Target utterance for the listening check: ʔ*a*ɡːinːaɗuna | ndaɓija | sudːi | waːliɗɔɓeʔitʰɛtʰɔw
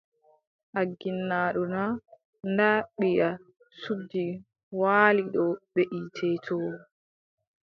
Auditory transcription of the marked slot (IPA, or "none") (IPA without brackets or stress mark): a